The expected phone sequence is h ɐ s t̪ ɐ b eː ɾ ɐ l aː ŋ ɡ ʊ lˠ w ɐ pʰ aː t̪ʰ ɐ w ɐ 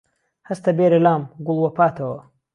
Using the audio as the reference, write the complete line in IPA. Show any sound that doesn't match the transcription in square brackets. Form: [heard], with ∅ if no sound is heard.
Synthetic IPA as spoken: h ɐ s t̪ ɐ b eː ɾ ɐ l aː [m] ɡ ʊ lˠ w ɐ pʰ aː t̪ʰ ɐ w ɐ